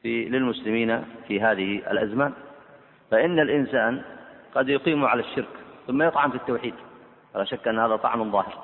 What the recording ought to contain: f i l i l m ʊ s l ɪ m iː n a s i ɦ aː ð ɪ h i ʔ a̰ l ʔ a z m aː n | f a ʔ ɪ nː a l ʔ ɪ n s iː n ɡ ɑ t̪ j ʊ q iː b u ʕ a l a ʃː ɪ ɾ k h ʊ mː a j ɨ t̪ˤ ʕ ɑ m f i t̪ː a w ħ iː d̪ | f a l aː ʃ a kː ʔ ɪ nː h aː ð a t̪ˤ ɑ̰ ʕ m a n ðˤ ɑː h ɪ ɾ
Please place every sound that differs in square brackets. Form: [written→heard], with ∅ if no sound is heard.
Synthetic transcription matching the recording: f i l [i→ɪ] l m ʊ s l ɪ m iː n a [s→f] i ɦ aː ð ɪ h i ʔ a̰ l ʔ a z m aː n | f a ʔ ɪ nː a l ʔ ɪ n s [iː→aː] n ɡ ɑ [t̪→d̪] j ʊ q iː [b→m] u ʕ a l a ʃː ɪ ɾ k [h→θ] ʊ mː a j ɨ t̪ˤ ʕ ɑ m f i t̪ː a w ħ iː d̪ | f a l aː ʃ a kː ʔ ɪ nː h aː ð a t̪ˤ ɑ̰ ʕ m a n ðˤ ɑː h ɪ ɾ